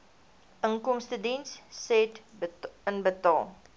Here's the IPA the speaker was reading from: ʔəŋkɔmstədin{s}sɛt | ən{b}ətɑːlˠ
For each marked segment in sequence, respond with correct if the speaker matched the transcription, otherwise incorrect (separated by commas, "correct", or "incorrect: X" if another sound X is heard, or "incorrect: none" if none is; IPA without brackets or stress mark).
correct, correct